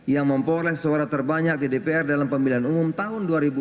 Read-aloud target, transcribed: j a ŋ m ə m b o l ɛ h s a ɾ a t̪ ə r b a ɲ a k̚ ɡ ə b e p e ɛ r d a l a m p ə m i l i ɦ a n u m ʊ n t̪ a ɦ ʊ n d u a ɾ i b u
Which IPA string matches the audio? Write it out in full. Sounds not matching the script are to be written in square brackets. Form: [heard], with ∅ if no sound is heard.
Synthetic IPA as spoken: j a ŋ m ə m [p] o l ɛ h s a ɾ a t̪ ə r b a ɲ a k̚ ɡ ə [d] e p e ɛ r d a l a m p ə m i l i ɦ a n u m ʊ [m] t̪ a ɦ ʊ n d u a ɾ i b u